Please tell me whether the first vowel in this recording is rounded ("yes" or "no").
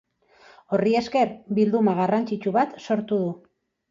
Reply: yes